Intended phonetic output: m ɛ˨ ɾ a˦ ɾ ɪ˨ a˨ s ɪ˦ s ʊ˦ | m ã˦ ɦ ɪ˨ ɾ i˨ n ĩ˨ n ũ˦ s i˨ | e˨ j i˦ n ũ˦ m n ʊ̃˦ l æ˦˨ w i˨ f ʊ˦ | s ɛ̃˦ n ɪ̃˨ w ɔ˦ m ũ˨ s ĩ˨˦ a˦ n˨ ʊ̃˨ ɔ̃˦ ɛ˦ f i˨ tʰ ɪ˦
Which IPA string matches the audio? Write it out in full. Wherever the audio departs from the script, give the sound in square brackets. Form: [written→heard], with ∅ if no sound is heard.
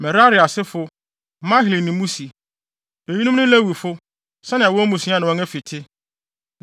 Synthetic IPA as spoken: m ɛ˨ ɾ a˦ ɾ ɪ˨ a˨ s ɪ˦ [s→f] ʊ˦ | m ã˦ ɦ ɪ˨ [ɾ→l] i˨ n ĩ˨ [n→m] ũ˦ s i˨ | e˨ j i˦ n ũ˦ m n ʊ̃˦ l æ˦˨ w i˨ f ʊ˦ | s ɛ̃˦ n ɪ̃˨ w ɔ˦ m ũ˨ s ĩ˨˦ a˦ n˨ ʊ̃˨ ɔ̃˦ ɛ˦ f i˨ tʰ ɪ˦